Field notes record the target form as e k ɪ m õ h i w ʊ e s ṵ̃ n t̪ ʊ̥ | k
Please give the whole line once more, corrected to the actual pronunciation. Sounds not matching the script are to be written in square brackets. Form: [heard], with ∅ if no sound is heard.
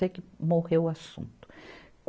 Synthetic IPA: e k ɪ m [o] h [e] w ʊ [a] s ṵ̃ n t̪ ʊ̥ | k